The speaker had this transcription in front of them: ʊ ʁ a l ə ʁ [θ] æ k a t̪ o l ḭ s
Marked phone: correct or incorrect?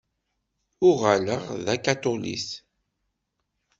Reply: incorrect